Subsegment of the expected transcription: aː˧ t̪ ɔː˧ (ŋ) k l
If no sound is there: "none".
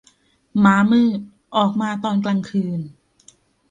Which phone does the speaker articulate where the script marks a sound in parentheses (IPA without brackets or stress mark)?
n